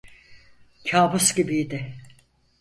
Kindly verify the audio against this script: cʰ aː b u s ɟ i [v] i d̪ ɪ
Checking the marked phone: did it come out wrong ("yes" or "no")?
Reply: yes